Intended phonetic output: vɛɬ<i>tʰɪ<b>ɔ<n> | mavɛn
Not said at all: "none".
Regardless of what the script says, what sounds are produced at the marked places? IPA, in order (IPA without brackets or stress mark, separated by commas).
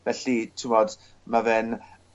i, m, d